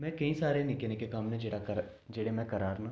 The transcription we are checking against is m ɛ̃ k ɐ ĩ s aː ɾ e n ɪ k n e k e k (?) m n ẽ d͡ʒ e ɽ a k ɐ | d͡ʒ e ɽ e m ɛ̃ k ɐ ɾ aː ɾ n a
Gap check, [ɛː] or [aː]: aː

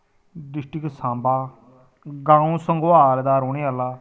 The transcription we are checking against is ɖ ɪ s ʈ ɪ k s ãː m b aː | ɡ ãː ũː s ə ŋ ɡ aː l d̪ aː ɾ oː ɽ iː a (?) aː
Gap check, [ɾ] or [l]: l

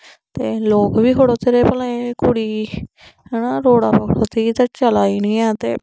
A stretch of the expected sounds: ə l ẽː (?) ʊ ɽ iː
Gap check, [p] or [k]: k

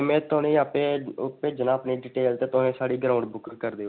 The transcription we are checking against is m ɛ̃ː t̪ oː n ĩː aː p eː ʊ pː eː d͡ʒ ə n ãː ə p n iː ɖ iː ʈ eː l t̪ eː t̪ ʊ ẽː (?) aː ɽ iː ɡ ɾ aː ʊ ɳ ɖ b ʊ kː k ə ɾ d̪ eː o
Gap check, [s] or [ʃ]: s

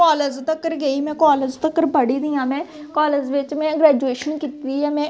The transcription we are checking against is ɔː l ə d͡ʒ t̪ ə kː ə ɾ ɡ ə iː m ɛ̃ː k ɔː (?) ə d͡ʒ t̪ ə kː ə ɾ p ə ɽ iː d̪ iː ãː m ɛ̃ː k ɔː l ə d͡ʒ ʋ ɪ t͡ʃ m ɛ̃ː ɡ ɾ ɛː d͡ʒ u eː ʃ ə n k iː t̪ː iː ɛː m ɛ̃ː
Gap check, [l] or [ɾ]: l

